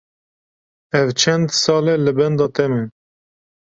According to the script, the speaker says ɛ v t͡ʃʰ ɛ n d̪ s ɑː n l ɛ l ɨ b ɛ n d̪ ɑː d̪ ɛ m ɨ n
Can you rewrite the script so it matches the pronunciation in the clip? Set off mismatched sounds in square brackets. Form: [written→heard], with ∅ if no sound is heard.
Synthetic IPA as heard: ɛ v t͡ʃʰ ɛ n d̪ s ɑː [n→∅] l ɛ l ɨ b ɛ n d̪ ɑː [d̪→t̪] ɛ m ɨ n